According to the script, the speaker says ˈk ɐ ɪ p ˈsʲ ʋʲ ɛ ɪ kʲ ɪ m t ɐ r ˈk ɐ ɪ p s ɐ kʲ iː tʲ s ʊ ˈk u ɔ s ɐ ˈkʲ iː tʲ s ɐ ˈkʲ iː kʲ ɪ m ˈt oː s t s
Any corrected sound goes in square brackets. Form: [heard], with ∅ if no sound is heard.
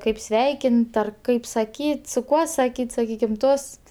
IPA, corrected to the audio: ˈk ɐ ɪ p ˈsʲ ʋʲ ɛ ɪ kʲ ɪ [n] t ɐ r ˈk ɐ ɪ p s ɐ kʲ iː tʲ s ʊ ˈk u ɔ s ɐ ˈkʲ iː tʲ s ɐ ˈkʲ iː kʲ ɪ m ˈt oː s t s